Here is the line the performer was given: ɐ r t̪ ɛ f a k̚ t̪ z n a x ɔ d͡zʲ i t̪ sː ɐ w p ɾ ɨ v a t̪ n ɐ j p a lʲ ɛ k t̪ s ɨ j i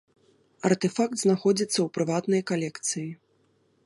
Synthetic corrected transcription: ɐ r t̪ ɛ f a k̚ t̪ z n a x ɔ d͡zʲ i t̪ sː ɐ w p ɾ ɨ v a t̪ n ɐ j k a lʲ ɛ k t̪ s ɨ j i